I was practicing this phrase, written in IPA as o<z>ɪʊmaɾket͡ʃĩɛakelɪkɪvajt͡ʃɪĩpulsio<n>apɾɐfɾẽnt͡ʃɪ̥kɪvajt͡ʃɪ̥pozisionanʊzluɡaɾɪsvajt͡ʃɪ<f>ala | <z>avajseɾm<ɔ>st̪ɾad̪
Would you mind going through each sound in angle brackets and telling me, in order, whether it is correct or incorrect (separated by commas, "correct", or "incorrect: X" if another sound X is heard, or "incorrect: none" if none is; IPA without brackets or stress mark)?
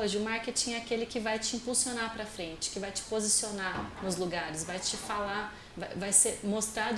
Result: incorrect: ʒ, correct, correct, incorrect: v, incorrect: o